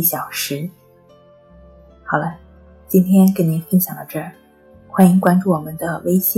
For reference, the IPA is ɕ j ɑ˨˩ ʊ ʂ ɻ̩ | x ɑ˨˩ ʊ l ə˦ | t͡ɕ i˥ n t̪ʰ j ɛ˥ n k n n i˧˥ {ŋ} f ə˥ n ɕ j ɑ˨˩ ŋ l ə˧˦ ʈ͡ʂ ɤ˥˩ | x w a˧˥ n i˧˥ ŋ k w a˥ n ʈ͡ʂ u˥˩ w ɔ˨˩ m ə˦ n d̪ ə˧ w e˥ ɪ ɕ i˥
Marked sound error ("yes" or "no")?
yes